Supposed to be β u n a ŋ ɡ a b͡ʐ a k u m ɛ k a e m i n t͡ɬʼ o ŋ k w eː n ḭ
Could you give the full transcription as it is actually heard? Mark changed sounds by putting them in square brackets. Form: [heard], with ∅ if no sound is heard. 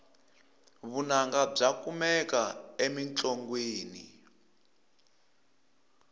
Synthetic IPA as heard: β u n a ŋ ɡ a b͡ʐ a k u m ɛ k a e m i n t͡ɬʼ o ŋ [ɡ] w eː n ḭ